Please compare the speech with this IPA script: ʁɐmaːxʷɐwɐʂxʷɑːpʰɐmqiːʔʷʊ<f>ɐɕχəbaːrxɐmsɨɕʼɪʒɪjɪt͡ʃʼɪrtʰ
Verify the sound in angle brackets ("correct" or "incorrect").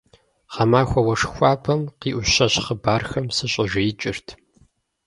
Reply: incorrect